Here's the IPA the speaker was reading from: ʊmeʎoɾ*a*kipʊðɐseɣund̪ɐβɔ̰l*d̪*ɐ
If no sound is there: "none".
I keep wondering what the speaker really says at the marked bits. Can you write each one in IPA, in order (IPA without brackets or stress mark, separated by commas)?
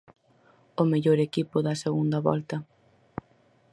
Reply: e, t̪